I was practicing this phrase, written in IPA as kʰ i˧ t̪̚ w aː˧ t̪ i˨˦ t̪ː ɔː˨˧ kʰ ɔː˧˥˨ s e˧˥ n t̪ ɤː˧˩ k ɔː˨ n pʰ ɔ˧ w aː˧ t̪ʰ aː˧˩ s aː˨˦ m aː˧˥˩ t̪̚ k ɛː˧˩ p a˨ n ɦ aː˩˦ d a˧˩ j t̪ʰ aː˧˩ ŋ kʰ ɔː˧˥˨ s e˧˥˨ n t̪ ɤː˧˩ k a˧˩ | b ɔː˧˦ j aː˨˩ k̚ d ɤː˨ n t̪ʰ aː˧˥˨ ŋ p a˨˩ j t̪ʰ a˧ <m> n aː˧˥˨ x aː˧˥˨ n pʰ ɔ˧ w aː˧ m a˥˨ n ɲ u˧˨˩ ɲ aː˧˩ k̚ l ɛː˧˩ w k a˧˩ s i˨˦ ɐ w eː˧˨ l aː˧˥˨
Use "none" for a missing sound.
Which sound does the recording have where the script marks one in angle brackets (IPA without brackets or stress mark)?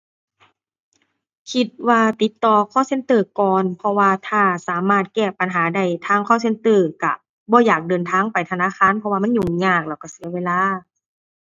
none